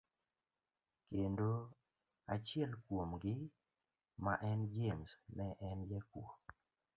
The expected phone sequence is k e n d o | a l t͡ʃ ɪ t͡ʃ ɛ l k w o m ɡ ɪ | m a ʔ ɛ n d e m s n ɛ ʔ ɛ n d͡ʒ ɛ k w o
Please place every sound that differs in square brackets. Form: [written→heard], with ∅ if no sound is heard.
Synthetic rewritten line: k e n d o | a [l→∅] t͡ʃ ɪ [t͡ʃ→∅] ɛ l k w o m ɡ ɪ | m a ʔ ɛ n [d→d͡ʒ] e m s n ɛ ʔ ɛ n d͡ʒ ɛ k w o

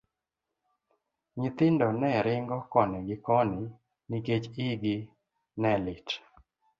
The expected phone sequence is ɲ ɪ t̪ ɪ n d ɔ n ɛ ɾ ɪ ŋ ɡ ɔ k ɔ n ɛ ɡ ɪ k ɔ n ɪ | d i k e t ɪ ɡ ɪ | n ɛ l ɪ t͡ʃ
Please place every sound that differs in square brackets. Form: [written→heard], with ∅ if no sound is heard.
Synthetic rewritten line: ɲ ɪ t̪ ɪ n d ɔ n ɛ ɾ ɪ ŋ ɡ ɔ k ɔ n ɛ ɡ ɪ k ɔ n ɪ | [d→n] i k e [t→t͡ʃ] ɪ ɡ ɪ | n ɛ l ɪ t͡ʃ

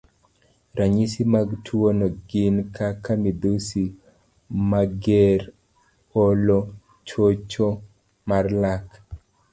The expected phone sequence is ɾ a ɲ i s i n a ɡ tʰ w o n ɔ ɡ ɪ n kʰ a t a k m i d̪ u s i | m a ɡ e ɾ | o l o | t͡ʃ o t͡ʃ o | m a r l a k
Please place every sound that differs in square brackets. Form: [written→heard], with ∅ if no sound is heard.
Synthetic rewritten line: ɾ a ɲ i s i [n→m] a ɡ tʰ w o n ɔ ɡ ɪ n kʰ a [t→k] a [k→∅] m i d̪ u s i | m a ɡ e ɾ | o l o | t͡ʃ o t͡ʃ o | m a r l a k

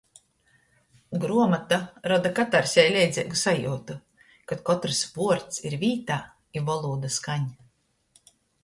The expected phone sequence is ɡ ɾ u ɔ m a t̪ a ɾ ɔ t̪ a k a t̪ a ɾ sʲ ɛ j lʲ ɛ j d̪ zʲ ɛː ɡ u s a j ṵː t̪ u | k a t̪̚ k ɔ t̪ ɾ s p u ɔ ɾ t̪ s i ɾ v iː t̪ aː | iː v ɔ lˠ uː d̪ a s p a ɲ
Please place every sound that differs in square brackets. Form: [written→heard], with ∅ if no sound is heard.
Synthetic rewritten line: ɡ ɾ u ɔ m a t̪ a ɾ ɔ [t̪→d̪] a k a t̪ a ɾ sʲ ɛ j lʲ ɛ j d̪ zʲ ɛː ɡ u s a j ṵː t̪ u | k a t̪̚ k ɔ t̪ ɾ s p u ɔ ɾ t̪ s i ɾ v iː t̪ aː | [iː→i] v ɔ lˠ uː d̪ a s [p→k] a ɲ

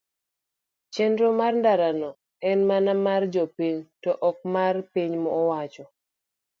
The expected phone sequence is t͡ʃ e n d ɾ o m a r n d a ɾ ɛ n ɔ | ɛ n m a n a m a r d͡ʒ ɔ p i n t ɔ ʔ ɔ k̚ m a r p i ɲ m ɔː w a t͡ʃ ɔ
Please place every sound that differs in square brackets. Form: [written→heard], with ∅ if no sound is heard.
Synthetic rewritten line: t͡ʃ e n d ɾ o m a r n d a ɾ [ɛ→a] n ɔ | ɛ n m a n a m a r d͡ʒ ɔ p i [n→ɲ] t ɔ ʔ ɔ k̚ m a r p i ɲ m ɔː w a t͡ʃ ɔ

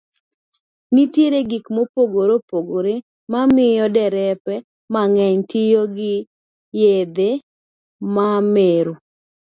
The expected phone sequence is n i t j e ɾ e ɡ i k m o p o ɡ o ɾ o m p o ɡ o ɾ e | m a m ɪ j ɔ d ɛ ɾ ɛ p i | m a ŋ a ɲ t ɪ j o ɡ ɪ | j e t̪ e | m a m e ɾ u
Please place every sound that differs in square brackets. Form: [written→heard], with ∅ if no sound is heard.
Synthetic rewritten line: n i t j e ɾ e ɡ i k m o p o ɡ o ɾ o [m→∅] p o ɡ o ɾ e | m a m ɪ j ɔ d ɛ ɾ ɛ p [i→ɛ] | m a ŋ [a→ɛ] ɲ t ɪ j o ɡ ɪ | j e [t̪→d̪] e | m a m e ɾ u

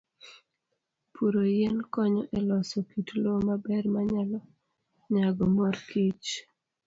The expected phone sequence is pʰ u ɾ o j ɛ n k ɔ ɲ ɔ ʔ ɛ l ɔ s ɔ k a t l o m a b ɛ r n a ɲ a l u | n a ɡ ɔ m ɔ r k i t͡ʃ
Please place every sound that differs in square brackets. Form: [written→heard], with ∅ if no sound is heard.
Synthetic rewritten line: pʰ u ɾ o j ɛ n k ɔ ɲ ɔ ʔ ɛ l ɔ s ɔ k [a→i] t l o m a b ɛ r [n→m] a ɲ a l [u→ɔ] | [n→ɲ] a ɡ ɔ m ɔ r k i t͡ʃ

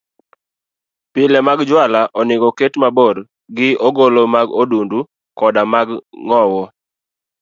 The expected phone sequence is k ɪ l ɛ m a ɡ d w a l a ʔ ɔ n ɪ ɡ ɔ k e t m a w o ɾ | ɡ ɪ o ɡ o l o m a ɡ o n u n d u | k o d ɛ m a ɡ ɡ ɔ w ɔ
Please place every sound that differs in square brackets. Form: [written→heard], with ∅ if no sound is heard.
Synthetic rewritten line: [k→p] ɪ l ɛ m a ɡ [d→d͡ʒ] w a l a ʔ ɔ n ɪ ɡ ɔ k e t m a [w→b] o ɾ | ɡ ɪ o ɡ o l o m a ɡ o [n→d] u n d u | k [o→ɔ] d [ɛ→a] m a ɡ [ɡ→ŋ] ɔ w ɔ

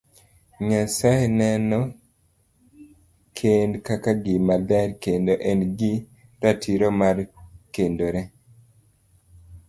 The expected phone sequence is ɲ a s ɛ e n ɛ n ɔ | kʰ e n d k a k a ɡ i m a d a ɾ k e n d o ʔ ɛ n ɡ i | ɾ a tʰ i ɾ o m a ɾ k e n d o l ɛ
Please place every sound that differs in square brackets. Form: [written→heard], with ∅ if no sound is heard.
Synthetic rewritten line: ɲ a s [ɛ→a] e n ɛ n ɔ | kʰ e n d k a k a ɡ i m a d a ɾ k e n d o ʔ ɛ n ɡ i | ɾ a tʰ i ɾ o m a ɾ k e n d o [l→ɾ] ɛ

